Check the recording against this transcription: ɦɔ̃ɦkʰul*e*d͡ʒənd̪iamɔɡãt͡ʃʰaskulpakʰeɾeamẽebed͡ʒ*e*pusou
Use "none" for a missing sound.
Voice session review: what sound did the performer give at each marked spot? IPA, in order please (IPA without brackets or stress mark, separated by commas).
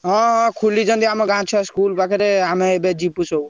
i, i